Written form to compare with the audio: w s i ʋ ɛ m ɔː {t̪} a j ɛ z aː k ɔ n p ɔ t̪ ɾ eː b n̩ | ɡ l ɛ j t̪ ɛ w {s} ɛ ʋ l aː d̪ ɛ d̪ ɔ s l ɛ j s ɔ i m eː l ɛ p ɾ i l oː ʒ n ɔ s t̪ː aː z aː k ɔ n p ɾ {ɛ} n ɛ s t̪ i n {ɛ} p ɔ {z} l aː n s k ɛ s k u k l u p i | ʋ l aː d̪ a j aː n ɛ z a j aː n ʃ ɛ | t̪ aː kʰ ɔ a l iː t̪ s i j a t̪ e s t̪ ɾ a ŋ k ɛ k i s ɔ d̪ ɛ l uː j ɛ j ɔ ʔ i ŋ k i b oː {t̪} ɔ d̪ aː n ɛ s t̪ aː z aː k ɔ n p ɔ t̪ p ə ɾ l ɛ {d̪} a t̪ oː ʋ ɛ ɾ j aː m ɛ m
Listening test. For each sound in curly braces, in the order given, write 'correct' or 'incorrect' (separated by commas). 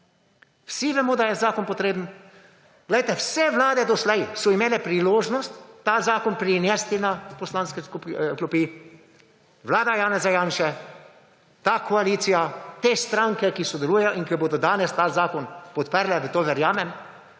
incorrect, correct, incorrect, incorrect, incorrect, incorrect, correct